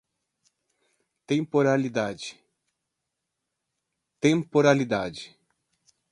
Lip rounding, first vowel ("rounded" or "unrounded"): unrounded